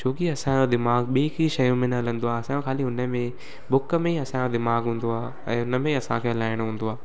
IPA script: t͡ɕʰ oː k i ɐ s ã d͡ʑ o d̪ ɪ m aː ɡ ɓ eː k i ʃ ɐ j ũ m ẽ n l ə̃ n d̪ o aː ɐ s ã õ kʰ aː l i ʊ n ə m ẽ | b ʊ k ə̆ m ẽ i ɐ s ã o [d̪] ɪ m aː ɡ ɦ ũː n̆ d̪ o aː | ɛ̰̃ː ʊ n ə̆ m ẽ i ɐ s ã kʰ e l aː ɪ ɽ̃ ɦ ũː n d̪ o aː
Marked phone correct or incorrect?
correct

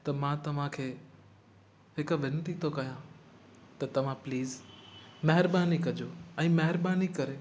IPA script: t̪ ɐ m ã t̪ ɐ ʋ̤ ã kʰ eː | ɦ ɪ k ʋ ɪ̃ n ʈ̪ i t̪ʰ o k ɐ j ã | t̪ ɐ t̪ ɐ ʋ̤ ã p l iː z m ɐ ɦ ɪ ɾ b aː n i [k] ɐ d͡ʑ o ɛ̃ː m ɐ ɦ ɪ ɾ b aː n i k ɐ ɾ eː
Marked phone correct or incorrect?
correct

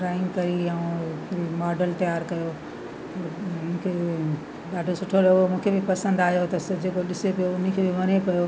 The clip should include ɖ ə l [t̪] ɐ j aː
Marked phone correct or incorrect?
correct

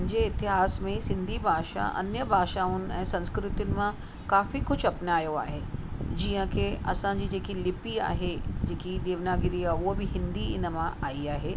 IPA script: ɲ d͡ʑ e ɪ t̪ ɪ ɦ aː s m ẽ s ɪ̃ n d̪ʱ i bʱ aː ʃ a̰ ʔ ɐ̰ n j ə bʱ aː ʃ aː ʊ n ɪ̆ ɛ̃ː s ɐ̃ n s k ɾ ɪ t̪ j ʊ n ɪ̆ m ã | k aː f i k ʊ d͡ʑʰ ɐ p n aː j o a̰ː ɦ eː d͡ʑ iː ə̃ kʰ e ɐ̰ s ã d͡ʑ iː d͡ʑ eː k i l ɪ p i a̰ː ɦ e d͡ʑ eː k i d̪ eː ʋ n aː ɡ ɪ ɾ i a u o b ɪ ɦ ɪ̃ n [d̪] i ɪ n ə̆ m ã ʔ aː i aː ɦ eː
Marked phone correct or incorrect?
correct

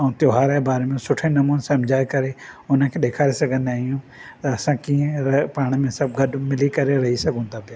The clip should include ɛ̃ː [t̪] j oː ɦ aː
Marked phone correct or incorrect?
correct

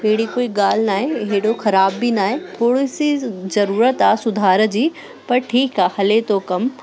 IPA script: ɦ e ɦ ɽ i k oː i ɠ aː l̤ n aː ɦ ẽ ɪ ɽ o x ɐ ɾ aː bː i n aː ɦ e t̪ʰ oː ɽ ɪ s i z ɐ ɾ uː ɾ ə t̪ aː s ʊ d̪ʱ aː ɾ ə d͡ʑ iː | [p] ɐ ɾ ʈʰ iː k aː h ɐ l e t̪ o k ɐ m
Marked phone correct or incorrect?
correct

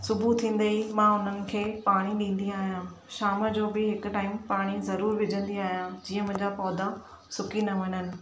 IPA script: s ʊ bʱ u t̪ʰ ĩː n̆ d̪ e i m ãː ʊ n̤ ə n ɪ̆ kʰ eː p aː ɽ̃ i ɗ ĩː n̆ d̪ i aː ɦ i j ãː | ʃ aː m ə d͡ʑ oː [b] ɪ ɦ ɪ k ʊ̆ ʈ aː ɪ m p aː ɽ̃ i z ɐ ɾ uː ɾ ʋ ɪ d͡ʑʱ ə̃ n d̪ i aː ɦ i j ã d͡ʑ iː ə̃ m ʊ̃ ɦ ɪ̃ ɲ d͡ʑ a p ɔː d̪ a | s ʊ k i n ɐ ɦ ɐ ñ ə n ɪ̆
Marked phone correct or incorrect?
correct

